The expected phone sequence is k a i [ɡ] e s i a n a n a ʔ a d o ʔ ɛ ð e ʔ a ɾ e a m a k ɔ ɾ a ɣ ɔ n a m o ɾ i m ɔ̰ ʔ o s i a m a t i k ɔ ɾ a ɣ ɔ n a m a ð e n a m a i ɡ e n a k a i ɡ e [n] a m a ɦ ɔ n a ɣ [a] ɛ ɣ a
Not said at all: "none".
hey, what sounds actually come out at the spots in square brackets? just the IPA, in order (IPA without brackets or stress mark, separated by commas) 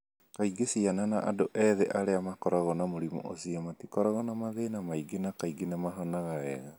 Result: ɡ, n, a